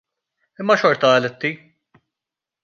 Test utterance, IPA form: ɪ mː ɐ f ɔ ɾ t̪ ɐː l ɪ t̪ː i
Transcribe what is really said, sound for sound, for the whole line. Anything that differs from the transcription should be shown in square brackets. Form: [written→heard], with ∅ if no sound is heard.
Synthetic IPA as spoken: ɪ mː ɐ [f→ʃ] ɔ ɾ t̪ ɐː l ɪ t̪ː i